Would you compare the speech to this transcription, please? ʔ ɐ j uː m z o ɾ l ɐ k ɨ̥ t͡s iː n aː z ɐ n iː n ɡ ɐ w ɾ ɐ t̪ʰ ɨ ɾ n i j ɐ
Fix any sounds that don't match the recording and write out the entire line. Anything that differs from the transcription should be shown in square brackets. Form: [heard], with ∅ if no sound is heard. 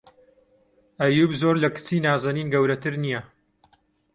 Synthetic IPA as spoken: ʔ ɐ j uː [b] z o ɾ l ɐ k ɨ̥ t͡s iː n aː z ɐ n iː n ɡ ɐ w ɾ ɐ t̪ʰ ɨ ɾ n i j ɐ